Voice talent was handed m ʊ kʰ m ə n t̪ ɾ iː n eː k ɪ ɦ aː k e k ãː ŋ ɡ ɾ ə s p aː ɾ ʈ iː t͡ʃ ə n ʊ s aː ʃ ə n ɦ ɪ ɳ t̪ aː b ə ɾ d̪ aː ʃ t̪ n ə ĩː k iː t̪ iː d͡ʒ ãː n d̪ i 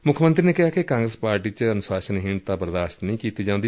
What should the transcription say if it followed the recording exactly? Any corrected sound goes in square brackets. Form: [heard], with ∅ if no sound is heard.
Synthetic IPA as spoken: m ʊ kʰ m ə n t̪ ɾ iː n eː k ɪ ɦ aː k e k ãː ŋ ɡ ɾ ə s p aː ɾ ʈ iː t͡ʃ ə n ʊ s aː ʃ ə n ɦ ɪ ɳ t̪ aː b ə ɾ d̪ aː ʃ t̪ n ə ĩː k iː t̪ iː d͡ʒ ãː n d̪ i